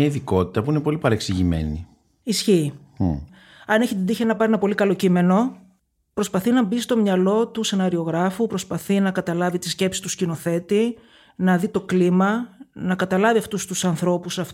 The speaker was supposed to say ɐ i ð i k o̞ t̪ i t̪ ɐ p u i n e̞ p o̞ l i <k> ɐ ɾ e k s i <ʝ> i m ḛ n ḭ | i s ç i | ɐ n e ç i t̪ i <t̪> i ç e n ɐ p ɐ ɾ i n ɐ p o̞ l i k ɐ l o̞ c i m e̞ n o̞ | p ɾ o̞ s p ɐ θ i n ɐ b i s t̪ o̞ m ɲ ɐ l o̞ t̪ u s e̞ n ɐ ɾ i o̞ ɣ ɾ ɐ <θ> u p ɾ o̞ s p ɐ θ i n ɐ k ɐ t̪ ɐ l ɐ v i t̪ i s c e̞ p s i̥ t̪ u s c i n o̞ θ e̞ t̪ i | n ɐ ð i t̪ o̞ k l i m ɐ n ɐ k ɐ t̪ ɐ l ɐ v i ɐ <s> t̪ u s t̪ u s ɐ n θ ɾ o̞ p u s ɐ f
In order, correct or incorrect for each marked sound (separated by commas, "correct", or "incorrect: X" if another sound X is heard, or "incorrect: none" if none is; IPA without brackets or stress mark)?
incorrect: p, correct, incorrect: d̪, incorrect: f, incorrect: f